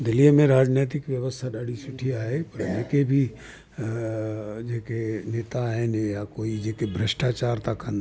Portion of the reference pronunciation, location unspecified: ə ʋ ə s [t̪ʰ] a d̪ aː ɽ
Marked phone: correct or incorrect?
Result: correct